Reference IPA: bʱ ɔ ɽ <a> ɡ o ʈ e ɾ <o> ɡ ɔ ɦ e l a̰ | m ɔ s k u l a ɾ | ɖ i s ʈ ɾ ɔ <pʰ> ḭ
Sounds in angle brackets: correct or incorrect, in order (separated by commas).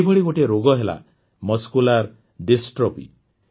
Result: incorrect, correct, incorrect